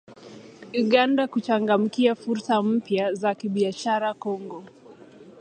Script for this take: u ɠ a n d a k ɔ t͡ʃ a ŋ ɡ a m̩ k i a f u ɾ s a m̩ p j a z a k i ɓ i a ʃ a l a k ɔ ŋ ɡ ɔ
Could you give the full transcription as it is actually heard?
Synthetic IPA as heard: u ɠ a n d a k u t͡ʃ a ŋ ɡ a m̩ k i a f u ɾ s a m̩ p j a z a k i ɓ i a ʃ a ɾ a k ɔ ŋ ɡ ɔ